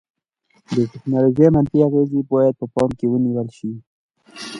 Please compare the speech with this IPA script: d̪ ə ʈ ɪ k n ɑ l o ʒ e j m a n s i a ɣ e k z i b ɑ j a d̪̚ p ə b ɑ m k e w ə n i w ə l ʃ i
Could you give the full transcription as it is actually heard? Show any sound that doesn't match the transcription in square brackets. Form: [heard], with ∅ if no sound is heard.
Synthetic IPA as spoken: d̪ ə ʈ ɪ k n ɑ l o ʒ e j m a n [f] i a ɣ e [∅] z i b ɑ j a d̪̚ p ə [p] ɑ m k e w ə n i w ə l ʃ i